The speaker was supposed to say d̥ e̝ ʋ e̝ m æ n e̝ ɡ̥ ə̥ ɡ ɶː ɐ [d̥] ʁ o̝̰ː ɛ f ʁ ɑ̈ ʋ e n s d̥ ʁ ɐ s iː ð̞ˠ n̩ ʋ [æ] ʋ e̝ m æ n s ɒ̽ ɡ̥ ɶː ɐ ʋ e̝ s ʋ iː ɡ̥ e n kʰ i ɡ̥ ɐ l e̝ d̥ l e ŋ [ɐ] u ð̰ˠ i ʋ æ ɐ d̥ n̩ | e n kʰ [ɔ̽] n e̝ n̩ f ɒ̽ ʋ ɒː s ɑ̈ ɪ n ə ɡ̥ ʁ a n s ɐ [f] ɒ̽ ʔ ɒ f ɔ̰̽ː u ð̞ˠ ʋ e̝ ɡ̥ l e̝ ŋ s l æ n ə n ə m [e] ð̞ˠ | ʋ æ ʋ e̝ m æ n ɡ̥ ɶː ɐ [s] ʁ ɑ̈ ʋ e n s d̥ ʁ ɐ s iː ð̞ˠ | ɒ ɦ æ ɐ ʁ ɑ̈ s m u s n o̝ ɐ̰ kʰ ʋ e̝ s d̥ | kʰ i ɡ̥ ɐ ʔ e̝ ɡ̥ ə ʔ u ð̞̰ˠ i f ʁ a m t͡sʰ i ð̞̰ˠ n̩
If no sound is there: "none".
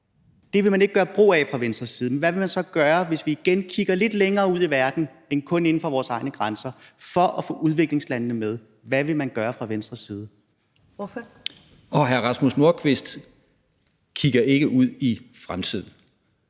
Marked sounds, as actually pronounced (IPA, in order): b̥, æ, ɐː, ɔ̽, f, e, f

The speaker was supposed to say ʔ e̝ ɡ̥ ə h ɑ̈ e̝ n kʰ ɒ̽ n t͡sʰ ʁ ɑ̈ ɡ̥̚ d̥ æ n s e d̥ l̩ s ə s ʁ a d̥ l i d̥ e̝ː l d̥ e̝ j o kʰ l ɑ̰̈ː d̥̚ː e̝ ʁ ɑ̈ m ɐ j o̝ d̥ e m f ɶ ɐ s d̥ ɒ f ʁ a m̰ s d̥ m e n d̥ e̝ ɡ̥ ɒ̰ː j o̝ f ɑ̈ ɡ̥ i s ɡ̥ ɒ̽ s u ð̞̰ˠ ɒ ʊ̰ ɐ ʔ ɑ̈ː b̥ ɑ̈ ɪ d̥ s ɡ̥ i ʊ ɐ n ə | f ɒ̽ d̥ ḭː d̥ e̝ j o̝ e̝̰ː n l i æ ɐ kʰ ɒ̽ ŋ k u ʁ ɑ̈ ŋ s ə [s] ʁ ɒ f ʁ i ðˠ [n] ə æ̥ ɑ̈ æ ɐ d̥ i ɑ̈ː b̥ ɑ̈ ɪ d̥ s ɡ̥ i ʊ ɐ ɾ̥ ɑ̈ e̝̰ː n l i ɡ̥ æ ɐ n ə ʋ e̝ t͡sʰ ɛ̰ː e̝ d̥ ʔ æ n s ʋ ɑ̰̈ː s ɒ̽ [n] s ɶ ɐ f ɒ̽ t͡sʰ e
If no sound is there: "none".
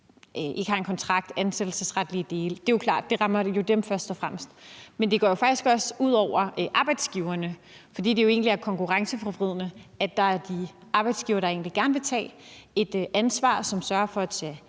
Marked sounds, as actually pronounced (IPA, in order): f, n, m

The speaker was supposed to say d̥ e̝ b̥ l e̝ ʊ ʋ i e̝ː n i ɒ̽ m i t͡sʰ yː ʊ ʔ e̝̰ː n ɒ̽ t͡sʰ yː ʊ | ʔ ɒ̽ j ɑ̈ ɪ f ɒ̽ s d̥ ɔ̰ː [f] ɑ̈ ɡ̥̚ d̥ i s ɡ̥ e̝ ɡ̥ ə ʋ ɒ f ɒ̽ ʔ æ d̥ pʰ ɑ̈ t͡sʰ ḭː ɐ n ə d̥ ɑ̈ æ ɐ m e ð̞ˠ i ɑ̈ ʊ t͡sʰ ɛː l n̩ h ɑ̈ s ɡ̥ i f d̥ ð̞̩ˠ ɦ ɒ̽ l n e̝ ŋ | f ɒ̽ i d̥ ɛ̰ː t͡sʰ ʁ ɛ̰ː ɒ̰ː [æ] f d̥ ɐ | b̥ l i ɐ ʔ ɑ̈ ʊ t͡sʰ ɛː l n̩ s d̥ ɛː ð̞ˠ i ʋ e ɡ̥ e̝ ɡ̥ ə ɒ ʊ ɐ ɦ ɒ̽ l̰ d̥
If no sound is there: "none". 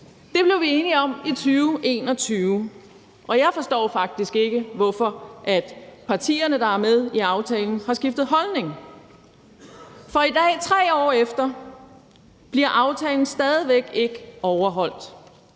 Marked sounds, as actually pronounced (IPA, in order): f, e

